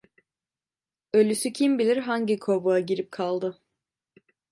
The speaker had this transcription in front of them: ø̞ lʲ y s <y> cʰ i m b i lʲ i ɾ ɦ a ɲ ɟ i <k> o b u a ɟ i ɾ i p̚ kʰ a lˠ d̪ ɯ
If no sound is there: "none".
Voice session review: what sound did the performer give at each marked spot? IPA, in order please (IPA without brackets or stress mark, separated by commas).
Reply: y, kʰ